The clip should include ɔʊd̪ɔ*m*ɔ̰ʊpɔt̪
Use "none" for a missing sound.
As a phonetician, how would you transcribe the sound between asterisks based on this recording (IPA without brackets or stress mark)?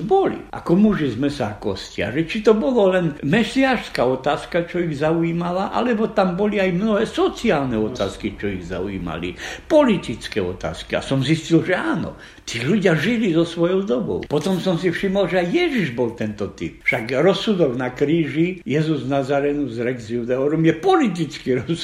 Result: b